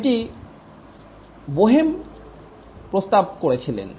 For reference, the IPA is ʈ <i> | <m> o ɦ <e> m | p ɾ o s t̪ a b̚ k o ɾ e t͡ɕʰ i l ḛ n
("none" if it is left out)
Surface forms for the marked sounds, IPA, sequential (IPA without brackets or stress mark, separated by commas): i, b, e